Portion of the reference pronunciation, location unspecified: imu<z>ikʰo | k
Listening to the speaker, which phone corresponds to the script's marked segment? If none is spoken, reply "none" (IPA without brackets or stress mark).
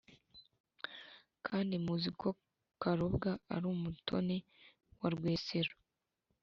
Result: z